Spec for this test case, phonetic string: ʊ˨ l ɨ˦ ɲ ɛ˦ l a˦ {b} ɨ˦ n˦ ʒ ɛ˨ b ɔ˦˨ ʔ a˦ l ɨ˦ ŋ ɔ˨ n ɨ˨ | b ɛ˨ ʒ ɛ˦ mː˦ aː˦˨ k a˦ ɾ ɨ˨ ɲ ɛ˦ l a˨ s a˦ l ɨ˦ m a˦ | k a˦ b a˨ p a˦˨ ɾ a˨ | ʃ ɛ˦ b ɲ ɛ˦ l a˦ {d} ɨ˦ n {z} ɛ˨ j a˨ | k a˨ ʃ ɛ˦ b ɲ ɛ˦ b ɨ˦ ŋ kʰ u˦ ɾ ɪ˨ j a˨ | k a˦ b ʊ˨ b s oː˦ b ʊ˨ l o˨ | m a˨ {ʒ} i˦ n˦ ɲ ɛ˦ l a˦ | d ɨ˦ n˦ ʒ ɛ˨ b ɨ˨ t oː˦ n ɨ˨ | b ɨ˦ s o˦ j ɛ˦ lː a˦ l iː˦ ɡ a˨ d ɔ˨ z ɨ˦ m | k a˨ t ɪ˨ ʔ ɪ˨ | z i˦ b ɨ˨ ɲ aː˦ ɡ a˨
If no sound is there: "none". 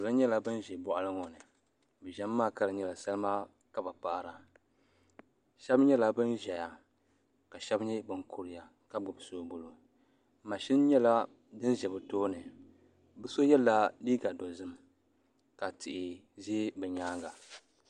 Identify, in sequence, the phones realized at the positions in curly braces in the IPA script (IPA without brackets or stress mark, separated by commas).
b, b, ʒ, ʃ